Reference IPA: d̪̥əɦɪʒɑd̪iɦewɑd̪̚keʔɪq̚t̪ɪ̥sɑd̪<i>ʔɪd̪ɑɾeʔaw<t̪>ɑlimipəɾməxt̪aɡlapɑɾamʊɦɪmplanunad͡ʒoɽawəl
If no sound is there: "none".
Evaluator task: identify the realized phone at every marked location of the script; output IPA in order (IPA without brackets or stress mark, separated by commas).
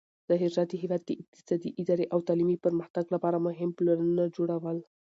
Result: i, t̪